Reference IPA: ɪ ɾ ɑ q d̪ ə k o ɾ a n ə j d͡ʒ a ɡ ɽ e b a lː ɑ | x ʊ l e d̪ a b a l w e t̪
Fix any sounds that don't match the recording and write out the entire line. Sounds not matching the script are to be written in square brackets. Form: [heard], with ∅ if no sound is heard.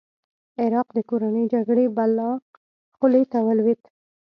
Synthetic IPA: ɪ ɾ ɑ q d̪ ə k o ɾ a n ə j d͡ʒ a ɡ ɽ e b a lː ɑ | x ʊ l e [t̪] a [w] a l w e t̪